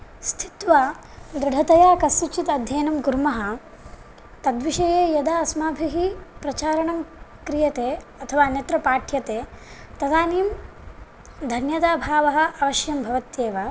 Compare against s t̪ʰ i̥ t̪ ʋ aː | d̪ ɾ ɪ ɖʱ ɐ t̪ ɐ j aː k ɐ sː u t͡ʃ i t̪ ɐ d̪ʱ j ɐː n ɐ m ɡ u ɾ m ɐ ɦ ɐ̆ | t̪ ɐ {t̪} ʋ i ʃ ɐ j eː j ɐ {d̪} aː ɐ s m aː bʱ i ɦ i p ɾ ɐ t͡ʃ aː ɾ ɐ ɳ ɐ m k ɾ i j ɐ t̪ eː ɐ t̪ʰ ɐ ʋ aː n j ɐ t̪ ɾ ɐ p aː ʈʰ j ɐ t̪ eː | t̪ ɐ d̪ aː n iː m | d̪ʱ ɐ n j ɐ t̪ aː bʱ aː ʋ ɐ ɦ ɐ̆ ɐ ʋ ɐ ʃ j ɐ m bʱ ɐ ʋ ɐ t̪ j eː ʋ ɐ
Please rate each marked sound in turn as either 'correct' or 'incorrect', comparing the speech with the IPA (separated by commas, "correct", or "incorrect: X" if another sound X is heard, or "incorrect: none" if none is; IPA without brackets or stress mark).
incorrect: d̪, correct